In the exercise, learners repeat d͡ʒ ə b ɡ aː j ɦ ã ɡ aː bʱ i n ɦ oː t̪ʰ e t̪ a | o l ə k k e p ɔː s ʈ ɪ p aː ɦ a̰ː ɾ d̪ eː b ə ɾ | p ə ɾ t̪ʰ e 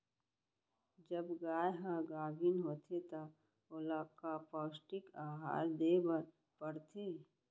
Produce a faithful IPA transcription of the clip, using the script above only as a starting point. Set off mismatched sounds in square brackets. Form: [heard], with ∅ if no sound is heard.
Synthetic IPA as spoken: d͡ʒ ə b ɡ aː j ɦ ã ɡ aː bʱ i n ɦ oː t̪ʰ e t̪ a | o l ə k k [a] p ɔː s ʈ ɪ [k] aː ɦ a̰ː ɾ d̪ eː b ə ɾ | p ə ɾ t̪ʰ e